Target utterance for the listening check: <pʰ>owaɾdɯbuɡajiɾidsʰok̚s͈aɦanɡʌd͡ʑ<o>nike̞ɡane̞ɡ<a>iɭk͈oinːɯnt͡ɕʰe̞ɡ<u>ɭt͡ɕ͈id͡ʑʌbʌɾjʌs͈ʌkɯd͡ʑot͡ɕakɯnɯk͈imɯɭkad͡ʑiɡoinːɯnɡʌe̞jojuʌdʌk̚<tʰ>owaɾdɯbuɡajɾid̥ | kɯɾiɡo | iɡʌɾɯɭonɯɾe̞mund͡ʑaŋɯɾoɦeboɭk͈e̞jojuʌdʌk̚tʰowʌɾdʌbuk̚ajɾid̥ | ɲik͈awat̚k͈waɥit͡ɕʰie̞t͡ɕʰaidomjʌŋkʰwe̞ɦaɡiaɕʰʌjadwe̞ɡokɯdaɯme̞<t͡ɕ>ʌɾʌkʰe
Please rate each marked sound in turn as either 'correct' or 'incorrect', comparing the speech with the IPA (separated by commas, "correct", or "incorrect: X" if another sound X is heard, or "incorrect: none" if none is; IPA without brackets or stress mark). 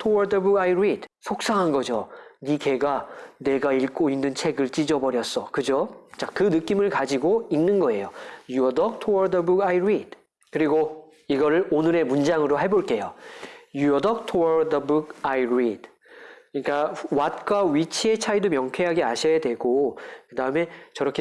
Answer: incorrect: tʰ, correct, correct, incorrect: ɯ, correct, correct